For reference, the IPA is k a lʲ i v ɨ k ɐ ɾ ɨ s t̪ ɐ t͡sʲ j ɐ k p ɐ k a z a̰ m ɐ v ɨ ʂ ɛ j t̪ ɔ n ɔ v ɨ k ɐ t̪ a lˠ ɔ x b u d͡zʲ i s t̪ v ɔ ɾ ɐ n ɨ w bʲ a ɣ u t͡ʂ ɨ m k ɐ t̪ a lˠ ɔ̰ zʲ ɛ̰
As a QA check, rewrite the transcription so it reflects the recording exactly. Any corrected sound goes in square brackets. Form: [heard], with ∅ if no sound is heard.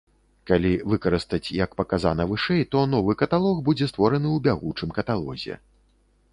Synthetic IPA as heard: k a lʲ i v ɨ k ɐ ɾ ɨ s t̪ ɐ t͡sʲ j ɐ k p ɐ k a z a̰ [n] ɐ v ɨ ʂ ɛ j t̪ ɔ n ɔ v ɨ k ɐ t̪ a lˠ ɔ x b u d͡zʲ [ɛ] s t̪ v ɔ ɾ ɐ n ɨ w bʲ a ɣ u t͡ʂ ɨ m k ɐ t̪ a lˠ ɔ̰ zʲ ɛ̰